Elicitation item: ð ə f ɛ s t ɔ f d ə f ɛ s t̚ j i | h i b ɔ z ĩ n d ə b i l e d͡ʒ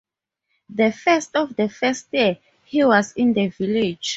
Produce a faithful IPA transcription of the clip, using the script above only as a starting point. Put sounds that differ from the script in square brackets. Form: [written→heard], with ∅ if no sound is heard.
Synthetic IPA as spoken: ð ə f ɛ s t ɔ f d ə f ɛ s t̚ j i | h i [b→w] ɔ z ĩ n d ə [b→v] i l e d͡ʒ